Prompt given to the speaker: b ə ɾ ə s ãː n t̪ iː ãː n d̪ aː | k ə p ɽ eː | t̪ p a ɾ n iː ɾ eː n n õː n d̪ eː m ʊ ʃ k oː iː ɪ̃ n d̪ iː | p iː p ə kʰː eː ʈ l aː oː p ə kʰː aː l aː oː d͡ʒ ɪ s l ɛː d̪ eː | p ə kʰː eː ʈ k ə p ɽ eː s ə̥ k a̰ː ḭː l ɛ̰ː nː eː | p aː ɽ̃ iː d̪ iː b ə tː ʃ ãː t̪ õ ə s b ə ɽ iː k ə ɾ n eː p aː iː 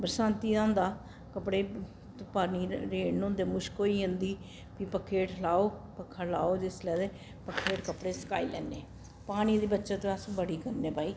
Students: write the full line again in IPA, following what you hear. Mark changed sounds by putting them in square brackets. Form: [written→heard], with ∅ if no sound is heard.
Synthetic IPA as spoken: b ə ɾ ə s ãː n t̪ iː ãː n d̪ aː | k ə p ɽ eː | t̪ p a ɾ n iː ɾ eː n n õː n d̪ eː m ʊ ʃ k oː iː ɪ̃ n d̪ iː | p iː p ə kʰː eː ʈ l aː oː p ə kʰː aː l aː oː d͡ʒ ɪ s l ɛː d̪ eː | p ə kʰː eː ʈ k ə p ɽ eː s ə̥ k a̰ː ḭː l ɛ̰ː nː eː | p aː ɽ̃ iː d̪ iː b ə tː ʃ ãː t̪ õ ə s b ə ɽ iː k ə ɾ n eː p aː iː